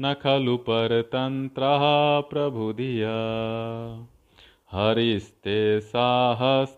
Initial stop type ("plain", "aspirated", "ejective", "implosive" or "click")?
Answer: aspirated